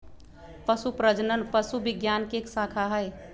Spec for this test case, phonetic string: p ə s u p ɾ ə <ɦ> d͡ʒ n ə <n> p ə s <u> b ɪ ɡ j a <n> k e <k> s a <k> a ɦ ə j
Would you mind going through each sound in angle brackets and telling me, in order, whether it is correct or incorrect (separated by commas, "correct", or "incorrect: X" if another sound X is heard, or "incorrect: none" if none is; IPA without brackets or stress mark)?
incorrect: none, correct, correct, correct, correct, incorrect: kʰ